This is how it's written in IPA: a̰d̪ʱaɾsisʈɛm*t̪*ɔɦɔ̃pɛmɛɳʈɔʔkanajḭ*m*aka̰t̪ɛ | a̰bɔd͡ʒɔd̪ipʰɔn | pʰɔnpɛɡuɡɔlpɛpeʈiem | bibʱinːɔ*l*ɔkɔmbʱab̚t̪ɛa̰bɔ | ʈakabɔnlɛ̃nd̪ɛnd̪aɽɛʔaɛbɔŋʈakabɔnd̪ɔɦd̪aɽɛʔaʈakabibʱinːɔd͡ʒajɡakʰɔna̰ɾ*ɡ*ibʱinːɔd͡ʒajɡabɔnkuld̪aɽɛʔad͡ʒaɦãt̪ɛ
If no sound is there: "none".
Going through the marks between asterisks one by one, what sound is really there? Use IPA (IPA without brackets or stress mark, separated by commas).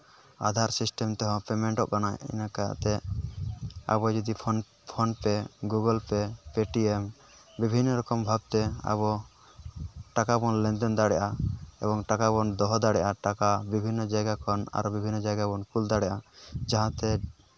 t̪, n, ɾ, b